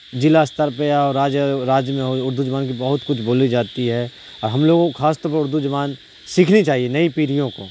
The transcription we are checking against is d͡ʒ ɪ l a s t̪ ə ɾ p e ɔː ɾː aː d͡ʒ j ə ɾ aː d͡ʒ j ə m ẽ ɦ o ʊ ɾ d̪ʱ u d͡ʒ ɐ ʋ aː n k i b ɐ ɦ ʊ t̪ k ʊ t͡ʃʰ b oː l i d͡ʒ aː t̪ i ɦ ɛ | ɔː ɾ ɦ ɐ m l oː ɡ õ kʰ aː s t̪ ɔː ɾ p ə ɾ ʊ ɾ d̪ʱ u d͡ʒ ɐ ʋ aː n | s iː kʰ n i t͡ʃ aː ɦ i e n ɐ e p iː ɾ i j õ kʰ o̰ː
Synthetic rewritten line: d͡ʒ ɪ l a s t̪ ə ɾ p e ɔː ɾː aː d͡ʒ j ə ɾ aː d͡ʒ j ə m ẽ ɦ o ʊ ɾ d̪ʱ u d͡ʒ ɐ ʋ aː n k i b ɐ ɦ ʊ t̪ k ʊ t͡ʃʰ b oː l i d͡ʒ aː t̪ i ɦ ɛ | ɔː ɾ ɦ ɐ m l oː ɡ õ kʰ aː s t̪ ɔː ɾ p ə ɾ ʊ ɾ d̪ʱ u d͡ʒ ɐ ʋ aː n | s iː kʰ n i t͡ʃ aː ɦ i e n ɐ i p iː ɾ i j õ k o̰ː